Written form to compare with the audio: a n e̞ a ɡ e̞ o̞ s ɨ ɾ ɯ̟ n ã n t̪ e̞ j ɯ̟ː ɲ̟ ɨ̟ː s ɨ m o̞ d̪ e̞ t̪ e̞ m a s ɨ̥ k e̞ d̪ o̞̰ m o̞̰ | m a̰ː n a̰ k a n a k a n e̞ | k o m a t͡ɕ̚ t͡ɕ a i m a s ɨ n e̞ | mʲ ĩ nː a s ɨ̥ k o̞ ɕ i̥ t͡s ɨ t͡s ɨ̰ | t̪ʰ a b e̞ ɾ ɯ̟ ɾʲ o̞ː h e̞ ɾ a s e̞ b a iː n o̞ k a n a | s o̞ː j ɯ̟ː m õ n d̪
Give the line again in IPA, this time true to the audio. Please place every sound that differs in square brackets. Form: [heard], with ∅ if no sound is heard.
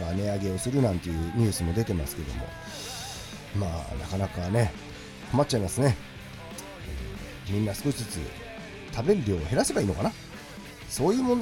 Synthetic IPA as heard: a n e̞ a ɡ e̞ o̞ s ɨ ɾ ɯ̟ n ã n t̪ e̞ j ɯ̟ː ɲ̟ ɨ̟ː s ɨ m o̞ d̪ e̞ t̪ e̞ m a s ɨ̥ k e̞ d̪ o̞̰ m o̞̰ | m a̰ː n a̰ k a n a k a n e̞ | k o m a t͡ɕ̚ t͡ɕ a i m a s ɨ n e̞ | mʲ ĩ nː a s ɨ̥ k o̞ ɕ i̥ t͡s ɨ t͡s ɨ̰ | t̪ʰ a b e̞ ɾ ɯ̟ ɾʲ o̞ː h e̞ ɾ a s e̞ b a iː n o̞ k a n a | s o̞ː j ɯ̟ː m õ n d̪